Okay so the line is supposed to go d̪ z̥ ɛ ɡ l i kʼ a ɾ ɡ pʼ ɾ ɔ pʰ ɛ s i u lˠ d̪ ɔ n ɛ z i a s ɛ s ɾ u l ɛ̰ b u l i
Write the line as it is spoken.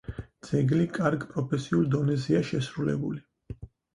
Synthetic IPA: d̪ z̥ ɛ ɡ l i kʼ a ɾ ɡ pʼ ɾ ɔ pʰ ɛ s i u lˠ d̪ ɔ n ɛ z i a ʃ ɛ s ɾ u l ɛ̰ b u l i